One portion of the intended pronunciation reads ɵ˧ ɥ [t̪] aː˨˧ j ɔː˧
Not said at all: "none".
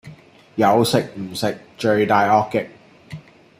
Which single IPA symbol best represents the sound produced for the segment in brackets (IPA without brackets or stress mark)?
t̪